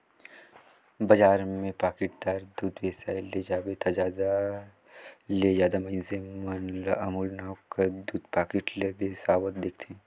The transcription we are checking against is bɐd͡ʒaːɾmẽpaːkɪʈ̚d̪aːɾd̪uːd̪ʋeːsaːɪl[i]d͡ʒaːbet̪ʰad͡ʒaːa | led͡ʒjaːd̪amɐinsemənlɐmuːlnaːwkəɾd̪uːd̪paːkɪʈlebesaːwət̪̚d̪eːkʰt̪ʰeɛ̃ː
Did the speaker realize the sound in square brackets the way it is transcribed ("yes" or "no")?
no